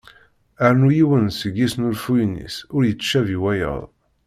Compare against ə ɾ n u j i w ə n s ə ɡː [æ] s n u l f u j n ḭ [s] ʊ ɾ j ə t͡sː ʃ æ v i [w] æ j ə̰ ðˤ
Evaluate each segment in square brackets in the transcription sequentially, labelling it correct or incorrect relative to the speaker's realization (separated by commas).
incorrect, correct, correct